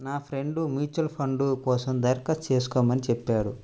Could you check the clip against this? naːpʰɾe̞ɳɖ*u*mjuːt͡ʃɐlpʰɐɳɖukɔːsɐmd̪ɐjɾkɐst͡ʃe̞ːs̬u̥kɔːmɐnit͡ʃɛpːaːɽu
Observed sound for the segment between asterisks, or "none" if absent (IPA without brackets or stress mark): u